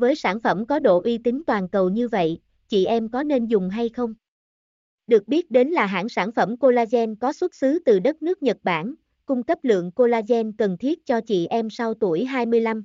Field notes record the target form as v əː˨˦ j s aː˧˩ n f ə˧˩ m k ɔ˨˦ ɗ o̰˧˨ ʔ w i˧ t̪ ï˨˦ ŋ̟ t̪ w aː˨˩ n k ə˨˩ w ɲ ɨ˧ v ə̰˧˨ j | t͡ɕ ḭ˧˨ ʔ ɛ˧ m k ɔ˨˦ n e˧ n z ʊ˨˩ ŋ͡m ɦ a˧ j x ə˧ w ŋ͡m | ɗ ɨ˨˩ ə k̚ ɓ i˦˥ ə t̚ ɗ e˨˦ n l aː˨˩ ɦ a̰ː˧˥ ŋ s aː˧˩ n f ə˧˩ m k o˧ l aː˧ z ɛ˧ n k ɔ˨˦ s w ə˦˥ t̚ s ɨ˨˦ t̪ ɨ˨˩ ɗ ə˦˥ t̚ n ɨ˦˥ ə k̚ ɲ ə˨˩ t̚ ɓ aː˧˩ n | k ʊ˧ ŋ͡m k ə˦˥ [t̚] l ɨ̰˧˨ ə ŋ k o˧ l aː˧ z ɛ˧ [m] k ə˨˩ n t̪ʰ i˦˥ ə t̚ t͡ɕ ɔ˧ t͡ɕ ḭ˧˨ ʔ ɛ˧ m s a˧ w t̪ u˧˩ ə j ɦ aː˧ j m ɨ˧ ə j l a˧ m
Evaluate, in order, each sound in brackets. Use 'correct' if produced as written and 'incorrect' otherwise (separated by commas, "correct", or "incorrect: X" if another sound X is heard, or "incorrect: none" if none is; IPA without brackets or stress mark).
incorrect: p̚, incorrect: n